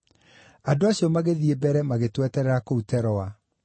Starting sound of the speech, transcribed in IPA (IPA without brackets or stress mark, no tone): a